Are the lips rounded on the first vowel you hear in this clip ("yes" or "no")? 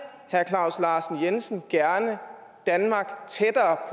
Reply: no